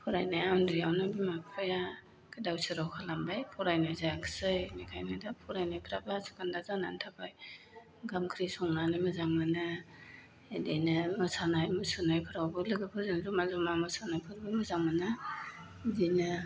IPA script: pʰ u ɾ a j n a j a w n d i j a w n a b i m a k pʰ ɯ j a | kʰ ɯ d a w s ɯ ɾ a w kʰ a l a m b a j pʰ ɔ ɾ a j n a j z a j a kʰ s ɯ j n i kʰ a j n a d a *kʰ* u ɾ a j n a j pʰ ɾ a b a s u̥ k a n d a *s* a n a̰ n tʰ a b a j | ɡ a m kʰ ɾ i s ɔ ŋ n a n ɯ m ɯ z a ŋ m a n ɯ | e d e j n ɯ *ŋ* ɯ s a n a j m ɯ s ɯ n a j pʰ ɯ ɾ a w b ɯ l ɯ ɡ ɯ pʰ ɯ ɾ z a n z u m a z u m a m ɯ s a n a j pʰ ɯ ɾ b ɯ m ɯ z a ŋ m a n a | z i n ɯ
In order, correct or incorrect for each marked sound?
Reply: incorrect, incorrect, incorrect

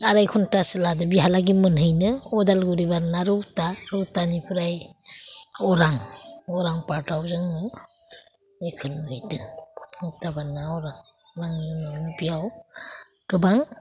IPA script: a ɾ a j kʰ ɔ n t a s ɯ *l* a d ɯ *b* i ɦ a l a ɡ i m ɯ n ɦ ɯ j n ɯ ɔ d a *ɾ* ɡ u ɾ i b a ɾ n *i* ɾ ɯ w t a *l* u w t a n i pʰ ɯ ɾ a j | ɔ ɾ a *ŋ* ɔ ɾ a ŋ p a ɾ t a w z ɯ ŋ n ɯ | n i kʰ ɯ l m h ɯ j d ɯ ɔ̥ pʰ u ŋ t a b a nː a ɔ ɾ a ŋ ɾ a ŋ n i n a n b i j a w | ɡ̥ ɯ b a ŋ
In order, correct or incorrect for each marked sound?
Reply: correct, correct, incorrect, incorrect, incorrect, correct

